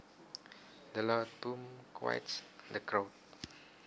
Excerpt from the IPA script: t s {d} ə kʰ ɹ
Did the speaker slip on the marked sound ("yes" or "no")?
no